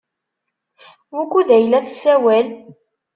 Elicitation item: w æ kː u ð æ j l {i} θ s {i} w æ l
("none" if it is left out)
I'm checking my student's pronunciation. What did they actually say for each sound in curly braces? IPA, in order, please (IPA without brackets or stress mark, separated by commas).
æ, æ